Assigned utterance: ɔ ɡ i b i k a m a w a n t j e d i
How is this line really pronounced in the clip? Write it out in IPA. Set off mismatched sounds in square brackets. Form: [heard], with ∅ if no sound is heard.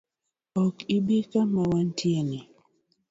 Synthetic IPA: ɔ [k] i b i k a m a w a n t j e [n] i